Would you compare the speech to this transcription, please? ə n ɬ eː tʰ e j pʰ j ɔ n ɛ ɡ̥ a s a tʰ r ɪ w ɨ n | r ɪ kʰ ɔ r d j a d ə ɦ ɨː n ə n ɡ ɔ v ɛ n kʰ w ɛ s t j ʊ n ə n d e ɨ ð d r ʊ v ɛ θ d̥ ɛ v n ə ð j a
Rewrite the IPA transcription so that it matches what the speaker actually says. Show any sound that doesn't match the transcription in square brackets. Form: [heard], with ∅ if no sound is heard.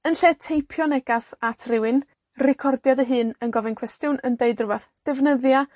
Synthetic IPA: ə n ɬ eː tʰ e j pʰ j ɔ n ɛ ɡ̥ a s a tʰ r ɪ w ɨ n | r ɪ kʰ ɔ r d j a d ə ɦ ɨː n ə n ɡ ɔ v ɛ n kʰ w ɛ s t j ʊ n ə n d e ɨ [∅] d r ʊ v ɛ θ d̥ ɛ v n ə ð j a

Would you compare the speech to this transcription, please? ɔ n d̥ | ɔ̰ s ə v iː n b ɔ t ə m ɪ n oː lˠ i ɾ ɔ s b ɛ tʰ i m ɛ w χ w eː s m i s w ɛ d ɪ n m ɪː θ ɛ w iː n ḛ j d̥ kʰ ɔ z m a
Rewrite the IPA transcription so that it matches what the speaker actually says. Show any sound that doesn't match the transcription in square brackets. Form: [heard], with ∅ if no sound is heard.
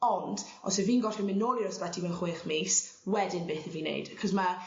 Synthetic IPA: ɔ n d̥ | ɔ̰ s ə v iː n [ɡ] ɔ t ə m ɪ n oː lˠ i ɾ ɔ s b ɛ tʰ i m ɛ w χ w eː [χ] m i s w ɛ d ɪ n [b] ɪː θ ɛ [v] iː n ḛ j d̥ kʰ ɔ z m a

